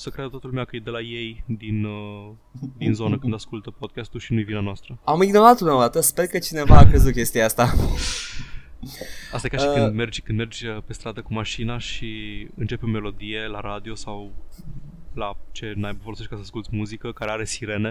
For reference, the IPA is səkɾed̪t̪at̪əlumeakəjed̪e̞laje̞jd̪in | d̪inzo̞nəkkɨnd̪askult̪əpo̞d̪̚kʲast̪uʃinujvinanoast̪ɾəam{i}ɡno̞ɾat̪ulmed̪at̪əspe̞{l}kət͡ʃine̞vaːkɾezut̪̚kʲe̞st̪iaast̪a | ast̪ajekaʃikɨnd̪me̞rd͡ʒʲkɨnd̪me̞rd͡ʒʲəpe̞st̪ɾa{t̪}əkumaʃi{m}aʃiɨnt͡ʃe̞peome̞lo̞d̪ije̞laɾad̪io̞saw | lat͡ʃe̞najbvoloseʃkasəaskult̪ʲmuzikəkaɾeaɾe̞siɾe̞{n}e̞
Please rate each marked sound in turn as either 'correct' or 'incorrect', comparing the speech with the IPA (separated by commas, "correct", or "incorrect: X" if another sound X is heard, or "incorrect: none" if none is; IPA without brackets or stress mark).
correct, incorrect: r, incorrect: d̪, incorrect: n, correct